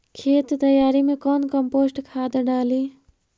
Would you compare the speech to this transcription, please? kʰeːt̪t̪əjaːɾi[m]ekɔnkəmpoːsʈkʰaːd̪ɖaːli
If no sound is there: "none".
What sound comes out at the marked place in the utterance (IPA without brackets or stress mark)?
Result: m